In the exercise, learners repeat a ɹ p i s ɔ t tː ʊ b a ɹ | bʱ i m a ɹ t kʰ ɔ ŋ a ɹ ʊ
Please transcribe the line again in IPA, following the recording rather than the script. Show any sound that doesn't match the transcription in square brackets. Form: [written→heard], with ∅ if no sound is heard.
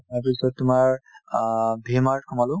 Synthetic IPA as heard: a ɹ p i s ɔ t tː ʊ [b→m] a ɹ | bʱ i m a ɹ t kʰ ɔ [ŋ→m] a [ɹ→l] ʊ